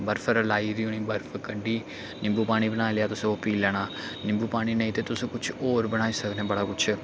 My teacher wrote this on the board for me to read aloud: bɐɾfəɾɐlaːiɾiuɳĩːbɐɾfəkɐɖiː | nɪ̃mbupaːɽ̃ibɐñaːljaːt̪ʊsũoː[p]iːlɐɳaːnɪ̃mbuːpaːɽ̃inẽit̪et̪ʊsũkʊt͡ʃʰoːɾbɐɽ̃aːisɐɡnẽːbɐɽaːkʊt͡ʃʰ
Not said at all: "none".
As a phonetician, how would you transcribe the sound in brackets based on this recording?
p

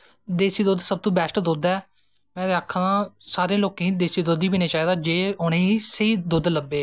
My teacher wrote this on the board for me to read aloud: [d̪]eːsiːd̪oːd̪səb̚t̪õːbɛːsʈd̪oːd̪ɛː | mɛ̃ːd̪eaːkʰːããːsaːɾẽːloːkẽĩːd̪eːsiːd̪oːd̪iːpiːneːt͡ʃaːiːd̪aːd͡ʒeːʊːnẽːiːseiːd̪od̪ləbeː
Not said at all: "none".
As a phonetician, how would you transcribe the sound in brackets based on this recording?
d̪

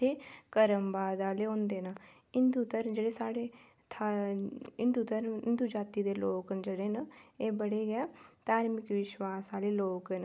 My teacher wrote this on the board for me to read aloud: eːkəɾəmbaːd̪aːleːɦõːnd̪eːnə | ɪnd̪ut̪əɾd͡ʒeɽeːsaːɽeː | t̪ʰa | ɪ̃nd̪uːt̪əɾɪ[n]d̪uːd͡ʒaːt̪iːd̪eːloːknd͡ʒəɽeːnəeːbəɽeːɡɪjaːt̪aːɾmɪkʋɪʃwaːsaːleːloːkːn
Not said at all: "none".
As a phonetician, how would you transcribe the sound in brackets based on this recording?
n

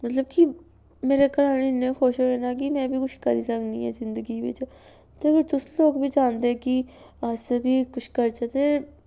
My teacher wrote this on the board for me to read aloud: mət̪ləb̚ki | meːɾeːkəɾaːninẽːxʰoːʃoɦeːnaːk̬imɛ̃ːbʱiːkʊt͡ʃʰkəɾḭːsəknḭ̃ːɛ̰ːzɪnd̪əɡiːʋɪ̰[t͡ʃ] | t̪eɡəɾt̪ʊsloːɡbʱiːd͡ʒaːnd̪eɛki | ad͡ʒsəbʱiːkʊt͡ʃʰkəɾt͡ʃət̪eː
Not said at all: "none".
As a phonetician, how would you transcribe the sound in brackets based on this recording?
t͡ʃ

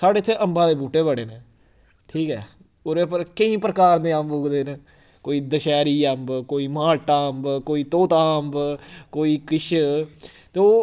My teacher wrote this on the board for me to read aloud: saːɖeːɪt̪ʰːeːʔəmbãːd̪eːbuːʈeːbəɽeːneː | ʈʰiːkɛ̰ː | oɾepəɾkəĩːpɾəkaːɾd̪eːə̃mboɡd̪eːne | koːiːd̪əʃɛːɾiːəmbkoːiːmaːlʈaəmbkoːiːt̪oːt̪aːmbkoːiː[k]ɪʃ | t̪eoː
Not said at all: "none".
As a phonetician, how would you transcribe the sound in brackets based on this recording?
k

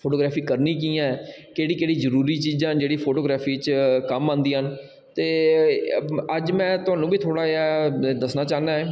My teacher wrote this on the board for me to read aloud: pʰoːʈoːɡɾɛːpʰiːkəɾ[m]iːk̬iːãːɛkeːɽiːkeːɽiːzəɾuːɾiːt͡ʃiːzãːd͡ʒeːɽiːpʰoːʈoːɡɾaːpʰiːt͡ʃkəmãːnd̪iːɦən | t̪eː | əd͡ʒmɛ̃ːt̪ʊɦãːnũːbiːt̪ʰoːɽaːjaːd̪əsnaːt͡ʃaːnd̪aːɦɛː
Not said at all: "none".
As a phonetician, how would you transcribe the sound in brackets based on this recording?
n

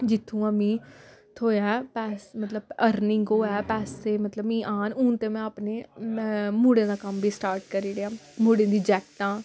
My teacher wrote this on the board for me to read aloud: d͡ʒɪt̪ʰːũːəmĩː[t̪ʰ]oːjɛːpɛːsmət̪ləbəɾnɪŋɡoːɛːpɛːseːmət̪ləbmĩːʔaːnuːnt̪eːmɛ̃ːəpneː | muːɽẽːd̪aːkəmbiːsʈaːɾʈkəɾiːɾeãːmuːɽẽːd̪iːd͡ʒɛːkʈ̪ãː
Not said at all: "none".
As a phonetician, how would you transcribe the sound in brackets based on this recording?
t̪ʰ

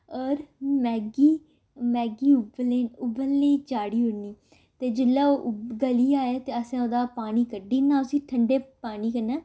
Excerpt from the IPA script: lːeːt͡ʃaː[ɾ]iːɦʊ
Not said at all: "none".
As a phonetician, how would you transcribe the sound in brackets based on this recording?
ɽ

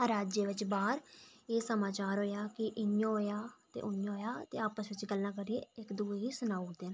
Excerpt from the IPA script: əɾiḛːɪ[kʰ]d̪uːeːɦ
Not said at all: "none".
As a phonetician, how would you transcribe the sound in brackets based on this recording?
k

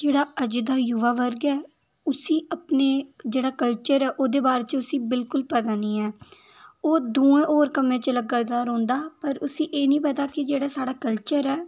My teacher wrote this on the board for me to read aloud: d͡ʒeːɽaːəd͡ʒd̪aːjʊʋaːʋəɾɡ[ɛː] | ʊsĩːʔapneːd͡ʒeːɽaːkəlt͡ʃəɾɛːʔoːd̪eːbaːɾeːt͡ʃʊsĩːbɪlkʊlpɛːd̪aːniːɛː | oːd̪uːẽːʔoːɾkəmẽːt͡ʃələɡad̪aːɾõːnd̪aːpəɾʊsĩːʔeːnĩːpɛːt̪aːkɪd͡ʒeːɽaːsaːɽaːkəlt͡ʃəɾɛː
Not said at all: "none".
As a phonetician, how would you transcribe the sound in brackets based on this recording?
ɛː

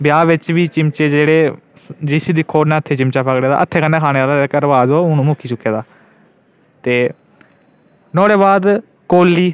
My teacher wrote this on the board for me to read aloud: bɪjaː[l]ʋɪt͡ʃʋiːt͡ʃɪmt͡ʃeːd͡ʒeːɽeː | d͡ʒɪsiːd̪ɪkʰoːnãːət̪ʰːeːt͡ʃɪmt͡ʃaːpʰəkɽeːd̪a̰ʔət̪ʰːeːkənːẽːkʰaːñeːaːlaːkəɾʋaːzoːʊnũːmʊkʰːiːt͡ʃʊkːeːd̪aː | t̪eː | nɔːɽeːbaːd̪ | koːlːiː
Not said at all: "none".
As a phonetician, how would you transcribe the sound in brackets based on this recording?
none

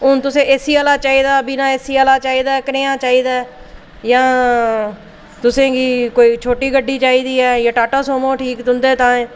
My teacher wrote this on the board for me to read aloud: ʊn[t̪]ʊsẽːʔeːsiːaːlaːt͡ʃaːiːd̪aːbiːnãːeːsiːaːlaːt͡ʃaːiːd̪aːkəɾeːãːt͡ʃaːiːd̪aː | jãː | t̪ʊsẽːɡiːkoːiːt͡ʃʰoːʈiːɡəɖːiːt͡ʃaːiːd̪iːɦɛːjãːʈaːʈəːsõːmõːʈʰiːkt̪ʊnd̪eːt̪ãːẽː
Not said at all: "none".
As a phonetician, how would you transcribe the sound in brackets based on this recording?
t̪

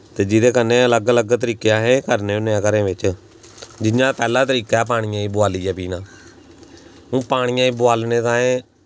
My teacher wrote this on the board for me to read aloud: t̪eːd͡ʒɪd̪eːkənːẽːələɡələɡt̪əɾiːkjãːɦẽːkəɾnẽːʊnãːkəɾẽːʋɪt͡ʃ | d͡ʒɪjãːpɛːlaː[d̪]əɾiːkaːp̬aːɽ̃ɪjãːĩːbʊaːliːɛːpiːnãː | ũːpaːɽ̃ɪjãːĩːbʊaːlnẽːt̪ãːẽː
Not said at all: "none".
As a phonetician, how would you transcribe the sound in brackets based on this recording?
t̪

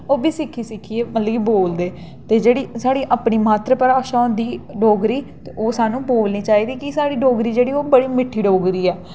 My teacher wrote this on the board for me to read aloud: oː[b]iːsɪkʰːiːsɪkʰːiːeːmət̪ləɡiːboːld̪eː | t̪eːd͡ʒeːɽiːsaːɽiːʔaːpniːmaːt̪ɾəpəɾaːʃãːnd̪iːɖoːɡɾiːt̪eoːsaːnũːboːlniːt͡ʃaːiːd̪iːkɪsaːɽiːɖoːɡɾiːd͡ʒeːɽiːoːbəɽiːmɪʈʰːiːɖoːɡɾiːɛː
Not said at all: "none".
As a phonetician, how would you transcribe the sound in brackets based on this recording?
b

